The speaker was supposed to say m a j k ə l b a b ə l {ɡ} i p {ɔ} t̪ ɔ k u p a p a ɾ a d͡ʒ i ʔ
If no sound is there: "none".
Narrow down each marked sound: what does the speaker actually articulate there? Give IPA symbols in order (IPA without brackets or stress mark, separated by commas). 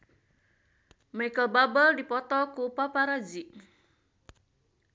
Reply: d, ɔ